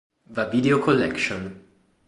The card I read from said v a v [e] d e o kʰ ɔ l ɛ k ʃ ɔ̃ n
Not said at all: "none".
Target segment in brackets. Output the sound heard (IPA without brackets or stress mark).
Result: i